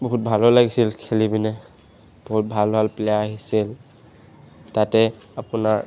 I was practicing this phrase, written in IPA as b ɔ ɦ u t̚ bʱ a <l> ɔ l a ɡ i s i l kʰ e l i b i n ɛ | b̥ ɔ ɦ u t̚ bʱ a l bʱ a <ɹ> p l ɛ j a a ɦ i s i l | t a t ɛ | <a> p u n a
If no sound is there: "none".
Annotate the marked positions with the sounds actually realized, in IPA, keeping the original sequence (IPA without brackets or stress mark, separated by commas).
l, l, a